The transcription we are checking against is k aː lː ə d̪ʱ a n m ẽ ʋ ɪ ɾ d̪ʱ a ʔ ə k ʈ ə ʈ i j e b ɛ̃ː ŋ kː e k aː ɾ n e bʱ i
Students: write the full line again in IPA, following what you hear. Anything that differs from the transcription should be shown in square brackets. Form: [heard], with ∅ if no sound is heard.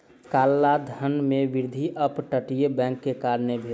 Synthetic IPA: k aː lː [a] d̪ʱ [ə] n m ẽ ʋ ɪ ɾ d̪ʱ [i] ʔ ə [p] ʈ ə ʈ i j e b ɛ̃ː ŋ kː e k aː ɾ n e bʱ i